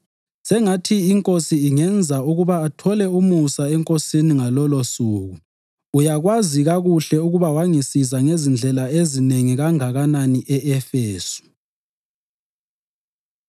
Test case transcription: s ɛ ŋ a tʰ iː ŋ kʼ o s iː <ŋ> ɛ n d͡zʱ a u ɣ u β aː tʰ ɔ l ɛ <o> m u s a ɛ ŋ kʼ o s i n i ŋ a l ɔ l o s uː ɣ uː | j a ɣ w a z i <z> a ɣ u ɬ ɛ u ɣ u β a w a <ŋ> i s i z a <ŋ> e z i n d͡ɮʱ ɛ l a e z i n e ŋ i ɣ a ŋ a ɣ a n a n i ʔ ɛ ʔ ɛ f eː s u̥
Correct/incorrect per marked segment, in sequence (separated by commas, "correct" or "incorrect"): correct, incorrect, incorrect, correct, correct